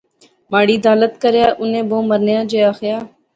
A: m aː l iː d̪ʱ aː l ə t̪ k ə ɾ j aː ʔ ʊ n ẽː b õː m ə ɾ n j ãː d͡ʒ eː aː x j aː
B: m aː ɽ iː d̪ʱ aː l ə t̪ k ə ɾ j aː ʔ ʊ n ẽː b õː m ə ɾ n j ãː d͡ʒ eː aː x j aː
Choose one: B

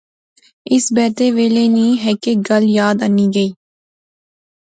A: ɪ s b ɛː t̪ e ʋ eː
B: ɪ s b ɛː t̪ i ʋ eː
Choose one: A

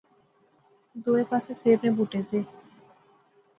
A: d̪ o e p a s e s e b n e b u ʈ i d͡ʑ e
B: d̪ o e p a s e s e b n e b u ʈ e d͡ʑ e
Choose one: B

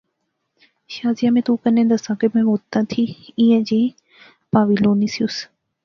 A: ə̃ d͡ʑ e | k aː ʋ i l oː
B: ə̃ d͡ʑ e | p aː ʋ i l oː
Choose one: B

